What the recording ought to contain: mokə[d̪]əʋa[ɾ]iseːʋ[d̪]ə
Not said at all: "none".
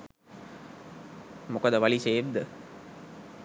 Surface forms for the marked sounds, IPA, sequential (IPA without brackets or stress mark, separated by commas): d̪, l, d̪